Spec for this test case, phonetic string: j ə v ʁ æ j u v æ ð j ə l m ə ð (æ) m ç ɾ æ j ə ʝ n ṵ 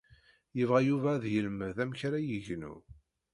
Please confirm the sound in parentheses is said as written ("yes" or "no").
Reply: yes